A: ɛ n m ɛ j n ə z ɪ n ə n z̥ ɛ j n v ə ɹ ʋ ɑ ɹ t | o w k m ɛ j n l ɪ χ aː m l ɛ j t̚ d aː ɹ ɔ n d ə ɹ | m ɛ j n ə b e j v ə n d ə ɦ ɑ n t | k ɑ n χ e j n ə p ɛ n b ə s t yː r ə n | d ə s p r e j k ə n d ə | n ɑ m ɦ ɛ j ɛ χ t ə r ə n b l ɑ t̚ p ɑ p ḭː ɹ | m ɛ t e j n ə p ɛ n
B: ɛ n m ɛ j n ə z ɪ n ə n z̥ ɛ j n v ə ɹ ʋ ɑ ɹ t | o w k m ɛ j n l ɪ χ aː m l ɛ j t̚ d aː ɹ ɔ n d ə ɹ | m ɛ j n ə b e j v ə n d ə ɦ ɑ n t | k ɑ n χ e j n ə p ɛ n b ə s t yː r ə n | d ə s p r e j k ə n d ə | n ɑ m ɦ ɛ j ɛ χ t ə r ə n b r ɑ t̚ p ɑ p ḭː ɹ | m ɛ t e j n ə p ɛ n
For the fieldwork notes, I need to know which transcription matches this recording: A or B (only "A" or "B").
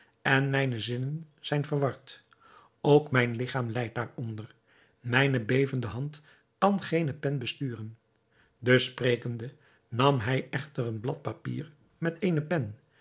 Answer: A